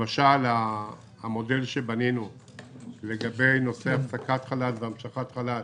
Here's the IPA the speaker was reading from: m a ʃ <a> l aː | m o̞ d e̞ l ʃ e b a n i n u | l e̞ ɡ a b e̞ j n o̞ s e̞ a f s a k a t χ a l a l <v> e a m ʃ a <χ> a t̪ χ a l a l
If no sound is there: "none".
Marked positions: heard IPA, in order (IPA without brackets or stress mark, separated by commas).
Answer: a, v, χ